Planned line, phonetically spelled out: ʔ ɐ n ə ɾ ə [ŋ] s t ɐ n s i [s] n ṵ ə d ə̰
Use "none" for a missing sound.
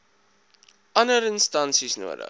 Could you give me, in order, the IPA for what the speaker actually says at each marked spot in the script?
n, s

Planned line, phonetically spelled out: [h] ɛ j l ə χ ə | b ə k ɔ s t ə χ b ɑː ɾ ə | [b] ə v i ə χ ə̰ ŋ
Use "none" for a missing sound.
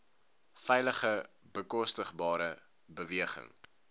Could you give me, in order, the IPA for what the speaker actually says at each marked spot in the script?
f, b

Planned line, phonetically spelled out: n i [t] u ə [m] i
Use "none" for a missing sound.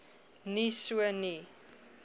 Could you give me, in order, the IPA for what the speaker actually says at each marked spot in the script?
s, n

